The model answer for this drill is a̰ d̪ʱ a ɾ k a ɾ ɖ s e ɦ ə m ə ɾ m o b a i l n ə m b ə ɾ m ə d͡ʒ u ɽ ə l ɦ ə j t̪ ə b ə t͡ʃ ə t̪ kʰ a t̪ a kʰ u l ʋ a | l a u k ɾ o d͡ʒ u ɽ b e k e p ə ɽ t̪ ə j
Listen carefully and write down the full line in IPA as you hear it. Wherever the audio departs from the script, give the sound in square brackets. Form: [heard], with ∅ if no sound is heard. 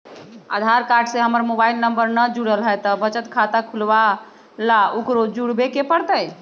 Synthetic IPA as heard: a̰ d̪ʱ a ɾ k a ɾ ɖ s e ɦ ə m ə ɾ m o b a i l n ə m b ə ɾ [n] ə d͡ʒ u ɽ ə l ɦ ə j t̪ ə b ə t͡ʃ ə t̪ kʰ a t̪ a kʰ u l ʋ a | l a u k ɾ o d͡ʒ u ɽ b e k e p ə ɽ t̪ ə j